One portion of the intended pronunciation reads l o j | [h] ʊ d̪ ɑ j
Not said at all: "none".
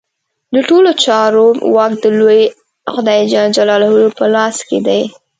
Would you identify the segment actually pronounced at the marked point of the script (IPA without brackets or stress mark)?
x